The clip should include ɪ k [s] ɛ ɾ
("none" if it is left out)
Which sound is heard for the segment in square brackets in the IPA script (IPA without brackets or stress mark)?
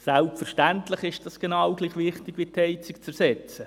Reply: t͡s